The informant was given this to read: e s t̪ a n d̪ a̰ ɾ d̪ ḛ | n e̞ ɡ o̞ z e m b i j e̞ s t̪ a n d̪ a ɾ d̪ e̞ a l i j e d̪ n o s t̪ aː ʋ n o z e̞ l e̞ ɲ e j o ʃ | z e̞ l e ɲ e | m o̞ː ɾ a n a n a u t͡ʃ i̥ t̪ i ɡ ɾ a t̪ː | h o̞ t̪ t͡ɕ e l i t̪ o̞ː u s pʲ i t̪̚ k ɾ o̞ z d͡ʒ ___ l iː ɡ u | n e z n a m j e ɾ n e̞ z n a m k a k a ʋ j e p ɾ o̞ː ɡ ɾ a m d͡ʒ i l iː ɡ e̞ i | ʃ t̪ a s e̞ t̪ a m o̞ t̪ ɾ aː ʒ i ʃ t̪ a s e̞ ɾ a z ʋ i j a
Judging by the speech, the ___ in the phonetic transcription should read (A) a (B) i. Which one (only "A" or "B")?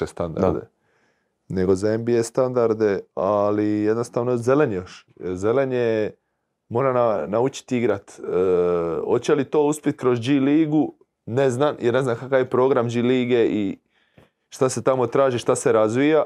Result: B